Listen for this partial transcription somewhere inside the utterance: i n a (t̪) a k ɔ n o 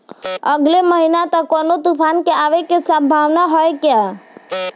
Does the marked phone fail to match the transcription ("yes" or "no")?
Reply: no